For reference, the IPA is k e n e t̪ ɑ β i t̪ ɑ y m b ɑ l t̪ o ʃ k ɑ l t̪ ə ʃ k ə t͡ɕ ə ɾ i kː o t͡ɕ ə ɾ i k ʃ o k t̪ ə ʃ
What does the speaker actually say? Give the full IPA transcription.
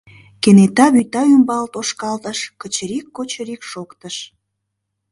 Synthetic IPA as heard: k e n e t̪ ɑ β y t̪ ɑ y m b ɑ l t̪ o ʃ k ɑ l t̪ ə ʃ k ə t͡ɕ ə ɾ i kː o t͡ɕ ə ɾ i k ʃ o k t̪ ə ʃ